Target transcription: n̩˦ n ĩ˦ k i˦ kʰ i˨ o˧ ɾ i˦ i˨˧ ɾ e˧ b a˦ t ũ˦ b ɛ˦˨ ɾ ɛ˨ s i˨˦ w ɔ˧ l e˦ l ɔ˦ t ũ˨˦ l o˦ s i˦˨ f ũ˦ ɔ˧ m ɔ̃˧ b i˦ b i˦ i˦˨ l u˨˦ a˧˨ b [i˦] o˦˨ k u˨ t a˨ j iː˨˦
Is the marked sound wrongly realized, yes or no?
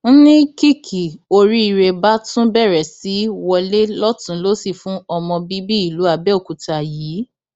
yes